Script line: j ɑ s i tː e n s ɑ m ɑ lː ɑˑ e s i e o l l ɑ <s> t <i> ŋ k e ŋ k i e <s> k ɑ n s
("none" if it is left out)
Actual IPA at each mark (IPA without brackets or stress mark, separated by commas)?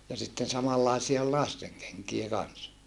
s, e, none